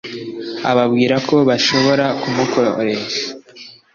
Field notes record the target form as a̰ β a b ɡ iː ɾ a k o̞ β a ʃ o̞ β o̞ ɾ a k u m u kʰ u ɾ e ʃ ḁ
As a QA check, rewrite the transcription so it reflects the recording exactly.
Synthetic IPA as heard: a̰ β a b ɡ iː ɾ a k o̞ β a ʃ o̞ β o̞ ɾ a k u m u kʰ o ɾ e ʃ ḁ